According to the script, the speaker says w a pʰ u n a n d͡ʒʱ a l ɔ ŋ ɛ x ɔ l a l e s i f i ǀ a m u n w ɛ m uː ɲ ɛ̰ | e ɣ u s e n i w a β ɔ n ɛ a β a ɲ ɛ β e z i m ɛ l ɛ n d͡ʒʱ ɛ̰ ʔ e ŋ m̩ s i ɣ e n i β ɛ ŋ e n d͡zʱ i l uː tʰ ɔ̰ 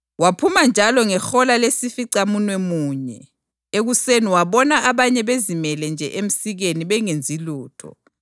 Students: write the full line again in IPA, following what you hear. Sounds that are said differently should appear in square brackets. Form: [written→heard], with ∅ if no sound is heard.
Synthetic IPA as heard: w a pʰ u [n→m] a n d͡ʒʱ a l ɔ ŋ ɛ x ɔ l a l e s i f i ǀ a m u n w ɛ m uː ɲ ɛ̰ | e ɣ u s e n i w a β ɔ n [ɛ→a] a β a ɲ ɛ β e z i m ɛ l ɛ n d͡ʒʱ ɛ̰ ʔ e [ŋ→∅] m̩ s i ɣ e n i β ɛ ŋ e n d͡zʱ i l uː tʰ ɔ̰

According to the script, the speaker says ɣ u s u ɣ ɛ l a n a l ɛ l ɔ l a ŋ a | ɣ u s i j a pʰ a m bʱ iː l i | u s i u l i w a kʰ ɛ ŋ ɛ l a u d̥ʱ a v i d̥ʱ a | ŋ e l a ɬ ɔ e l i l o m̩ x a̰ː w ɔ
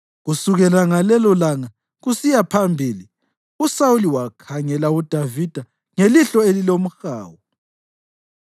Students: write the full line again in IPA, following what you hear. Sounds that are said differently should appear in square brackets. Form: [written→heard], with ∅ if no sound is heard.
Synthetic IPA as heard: ɣ u s u ɣ ɛ l a [n→ŋ] a l ɛ l ɔ l a ŋ a | ɣ u s i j a pʰ a m bʱ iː l i | u s [i→a] u l i w a kʰ [ɛ→a] ŋ ɛ l a u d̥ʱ a v i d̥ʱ a | ŋ e l [a→i] ɬ ɔ e l i l o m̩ x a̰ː w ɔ

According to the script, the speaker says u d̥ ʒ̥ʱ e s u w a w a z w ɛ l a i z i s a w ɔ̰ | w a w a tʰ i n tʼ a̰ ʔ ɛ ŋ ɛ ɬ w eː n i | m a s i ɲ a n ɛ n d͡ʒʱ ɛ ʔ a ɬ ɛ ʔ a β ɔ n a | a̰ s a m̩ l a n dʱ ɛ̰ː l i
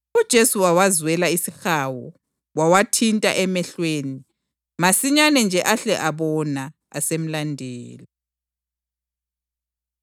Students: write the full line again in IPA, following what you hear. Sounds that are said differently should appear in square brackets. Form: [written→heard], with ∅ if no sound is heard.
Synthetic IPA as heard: u d̥ ʒ̥ʱ e s u w a w a z w ɛ l a i [z→s] i [s→x] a w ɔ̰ | w a w a tʰ i n tʼ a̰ ʔ ɛ [ŋ→m] ɛ ɬ w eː n i | m a s i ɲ a n ɛ n d͡ʒʱ ɛ ʔ a ɬ ɛ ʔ a β ɔ n a | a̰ s [a→e] m̩ l a n dʱ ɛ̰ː l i

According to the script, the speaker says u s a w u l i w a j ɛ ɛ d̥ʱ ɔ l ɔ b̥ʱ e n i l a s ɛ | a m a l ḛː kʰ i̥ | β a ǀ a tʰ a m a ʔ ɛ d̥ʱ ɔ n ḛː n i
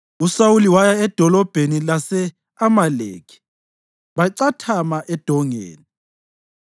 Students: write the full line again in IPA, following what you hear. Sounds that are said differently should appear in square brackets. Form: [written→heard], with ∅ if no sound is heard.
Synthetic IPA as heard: u s a w u l i w a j [ɛ→a] ɛ d̥ʱ ɔ l ɔ b̥ʱ e n i l a s ɛ | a m a l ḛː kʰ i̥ | β a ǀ a tʰ a m a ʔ ɛ d̥ʱ ɔ [n→ŋ] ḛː n i

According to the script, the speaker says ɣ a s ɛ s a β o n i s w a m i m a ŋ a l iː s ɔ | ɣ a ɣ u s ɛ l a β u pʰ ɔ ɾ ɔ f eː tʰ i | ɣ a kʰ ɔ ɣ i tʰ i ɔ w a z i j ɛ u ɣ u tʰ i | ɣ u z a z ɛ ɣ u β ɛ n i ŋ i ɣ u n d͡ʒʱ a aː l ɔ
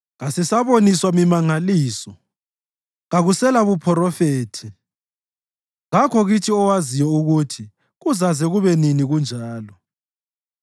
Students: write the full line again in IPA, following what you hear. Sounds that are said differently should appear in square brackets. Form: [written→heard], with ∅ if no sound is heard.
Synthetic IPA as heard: ɣ a s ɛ s a β o n i s w a m i m a ŋ a l iː s ɔ | ɣ a ɣ u s ɛ l a β u pʰ ɔ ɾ ɔ f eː tʰ i | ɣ a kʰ ɔ ɣ i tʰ i ɔ w a z i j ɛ u ɣ u tʰ i | ɣ u z a z ɛ ɣ u β ɛ n i [ŋ→n] i ɣ u n d͡ʒʱ a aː l ɔ

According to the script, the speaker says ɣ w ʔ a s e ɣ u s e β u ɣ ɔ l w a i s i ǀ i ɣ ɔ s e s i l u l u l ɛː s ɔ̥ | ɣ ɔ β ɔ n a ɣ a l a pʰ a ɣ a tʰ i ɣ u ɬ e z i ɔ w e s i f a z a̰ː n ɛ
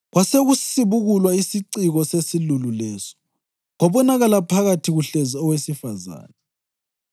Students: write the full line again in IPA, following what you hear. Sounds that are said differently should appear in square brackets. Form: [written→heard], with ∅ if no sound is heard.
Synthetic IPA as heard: ɣ w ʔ a s e ɣ u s [e→i] β u ɣ [ɔ→u] l w a i s i ǀ i ɣ ɔ s e s i l u l u l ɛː s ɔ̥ | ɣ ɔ β ɔ n a ɣ a l a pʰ a ɣ a tʰ i ɣ u ɬ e z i ɔ w e s i f a z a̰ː n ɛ

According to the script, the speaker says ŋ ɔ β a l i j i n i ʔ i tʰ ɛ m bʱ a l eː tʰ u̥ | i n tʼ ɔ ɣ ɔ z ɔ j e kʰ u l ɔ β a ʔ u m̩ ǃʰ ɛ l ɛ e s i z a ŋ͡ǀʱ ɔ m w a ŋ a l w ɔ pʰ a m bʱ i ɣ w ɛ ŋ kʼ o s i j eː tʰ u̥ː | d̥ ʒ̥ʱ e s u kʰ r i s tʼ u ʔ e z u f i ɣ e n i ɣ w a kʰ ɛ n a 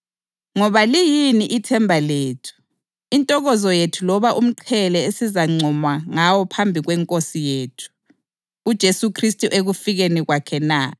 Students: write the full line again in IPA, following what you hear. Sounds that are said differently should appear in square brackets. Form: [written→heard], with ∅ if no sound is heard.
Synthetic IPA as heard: ŋ ɔ β a l i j i n i ʔ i tʰ ɛ m bʱ a l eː tʰ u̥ | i n tʼ ɔ ɣ ɔ z ɔ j e [kʰ→tʰ] u l ɔ β a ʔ u m̩ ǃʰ ɛ l ɛ e s i z a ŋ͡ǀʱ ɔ m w a ŋ a [l→∅] w ɔ pʰ a m bʱ i ɣ w ɛ ŋ kʼ o s i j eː tʰ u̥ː | d̥ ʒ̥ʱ e s u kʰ r i s tʼ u ʔ e [z→ɣ] u f i ɣ e n i ɣ w a kʰ ɛ n a

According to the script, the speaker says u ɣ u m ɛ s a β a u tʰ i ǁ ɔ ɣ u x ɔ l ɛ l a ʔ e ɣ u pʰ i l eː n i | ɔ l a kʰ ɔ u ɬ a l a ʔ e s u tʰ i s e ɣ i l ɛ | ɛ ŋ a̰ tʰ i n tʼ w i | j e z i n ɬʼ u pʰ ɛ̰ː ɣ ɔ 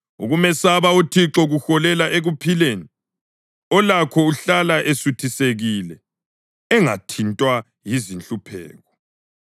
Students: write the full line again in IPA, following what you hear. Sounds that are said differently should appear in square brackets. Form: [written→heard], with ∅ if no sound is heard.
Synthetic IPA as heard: u ɣ u m ɛ s a β a u tʰ i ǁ ɔ ɣ u x ɔ l ɛ l a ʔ e ɣ u pʰ i l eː n i | ɔ l a kʰ ɔ u ɬ a l a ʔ e s u tʰ i s e ɣ i l ɛ | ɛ ŋ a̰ tʰ i n tʼ w [i→a] | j [e→i] z i n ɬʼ u pʰ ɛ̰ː ɣ ɔ

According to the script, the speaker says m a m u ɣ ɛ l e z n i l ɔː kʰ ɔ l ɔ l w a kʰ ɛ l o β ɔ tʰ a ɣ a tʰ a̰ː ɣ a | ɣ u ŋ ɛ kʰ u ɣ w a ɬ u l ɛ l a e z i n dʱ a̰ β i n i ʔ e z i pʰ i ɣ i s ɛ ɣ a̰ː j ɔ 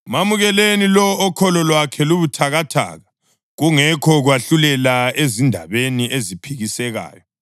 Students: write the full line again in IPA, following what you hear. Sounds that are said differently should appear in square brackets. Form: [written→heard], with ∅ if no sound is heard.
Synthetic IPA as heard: m a m u ɣ ɛ l e [z→∅] n i l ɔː kʰ ɔ l ɔ l w a kʰ ɛ l [o→u] β [ɔ→u] tʰ a ɣ a tʰ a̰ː ɣ a | ɣ u ŋ ɛ kʰ [u→ɔ] ɣ w a ɬ u l ɛ l a e z i n dʱ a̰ β [i→e] n i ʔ e z i pʰ i ɣ i s ɛ ɣ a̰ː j ɔ

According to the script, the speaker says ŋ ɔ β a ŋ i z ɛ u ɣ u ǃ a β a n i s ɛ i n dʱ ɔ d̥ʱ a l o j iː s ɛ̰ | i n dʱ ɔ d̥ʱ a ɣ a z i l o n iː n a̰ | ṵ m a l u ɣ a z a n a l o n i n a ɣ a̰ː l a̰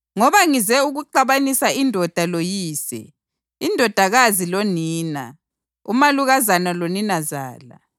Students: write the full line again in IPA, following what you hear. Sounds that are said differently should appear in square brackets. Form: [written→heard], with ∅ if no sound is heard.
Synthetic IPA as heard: ŋ ɔ β a ŋ i z ɛ u ɣ u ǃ a β a n i s [ɛ→a] i n dʱ ɔ d̥ʱ a l o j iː s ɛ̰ | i n dʱ ɔ d̥ʱ a ɣ a z i l o n iː n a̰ | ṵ m a l u ɣ a z a n a l o n i n a [ɣ→z] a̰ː l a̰

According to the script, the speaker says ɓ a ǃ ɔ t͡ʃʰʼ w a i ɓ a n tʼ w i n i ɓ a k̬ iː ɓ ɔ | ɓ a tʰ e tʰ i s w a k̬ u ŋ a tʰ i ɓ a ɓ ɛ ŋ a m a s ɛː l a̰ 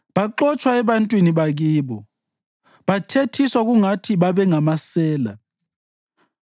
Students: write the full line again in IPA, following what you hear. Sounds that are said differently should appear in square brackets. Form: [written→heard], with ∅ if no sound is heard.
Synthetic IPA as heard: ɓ a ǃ ɔ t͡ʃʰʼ w a [i→ɛ] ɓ a n tʼ w i n i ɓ a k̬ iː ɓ ɔ | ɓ a tʰ e tʰ i s w a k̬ u ŋ a tʰ i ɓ a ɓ ɛ ŋ a m a s ɛː l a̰

